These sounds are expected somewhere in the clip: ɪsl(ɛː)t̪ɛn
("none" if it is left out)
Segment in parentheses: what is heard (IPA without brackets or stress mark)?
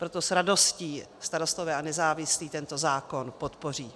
iː